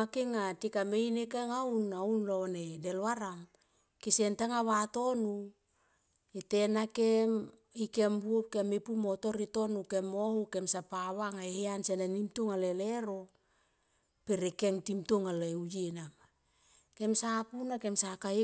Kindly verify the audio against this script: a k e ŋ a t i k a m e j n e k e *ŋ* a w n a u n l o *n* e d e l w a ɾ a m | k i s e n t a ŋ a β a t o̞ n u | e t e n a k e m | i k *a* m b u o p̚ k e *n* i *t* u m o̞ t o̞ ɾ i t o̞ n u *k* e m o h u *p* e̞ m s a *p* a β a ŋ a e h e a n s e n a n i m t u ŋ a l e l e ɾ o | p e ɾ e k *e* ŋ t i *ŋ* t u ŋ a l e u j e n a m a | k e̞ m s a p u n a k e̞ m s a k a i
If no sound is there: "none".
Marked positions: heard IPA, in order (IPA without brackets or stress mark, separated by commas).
ŋ, n, e, m, p, k, k, p, e, m